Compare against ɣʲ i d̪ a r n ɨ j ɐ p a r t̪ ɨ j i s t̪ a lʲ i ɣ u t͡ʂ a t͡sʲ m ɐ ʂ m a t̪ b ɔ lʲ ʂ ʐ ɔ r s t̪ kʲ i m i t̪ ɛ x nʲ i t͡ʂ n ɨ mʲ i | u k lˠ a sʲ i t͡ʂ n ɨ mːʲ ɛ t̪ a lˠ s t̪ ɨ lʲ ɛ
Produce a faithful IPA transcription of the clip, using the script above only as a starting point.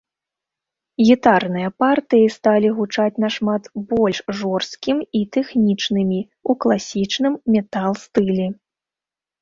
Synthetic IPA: ɣʲ i t̪ a r n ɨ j ɐ p a r t̪ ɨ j i s t̪ a lʲ i ɣ u t͡ʂ a t͡sʲ n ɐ ʂ m a t̪ b ɔ lʲ ʂ ʐ ɔ r s t̪ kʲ i m i t̪ ɛ x nʲ i t͡ʂ n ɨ mʲ i | u k lˠ a sʲ i t͡ʂ n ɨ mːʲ ɛ t̪ a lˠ s t̪ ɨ lʲ ɛ